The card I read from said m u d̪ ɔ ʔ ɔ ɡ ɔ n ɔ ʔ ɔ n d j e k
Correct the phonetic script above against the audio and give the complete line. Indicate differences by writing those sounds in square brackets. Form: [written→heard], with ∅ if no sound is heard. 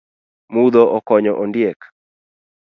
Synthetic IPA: m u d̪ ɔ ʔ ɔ [ɡ→k] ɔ [n→ɲ] ɔ ʔ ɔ n d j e k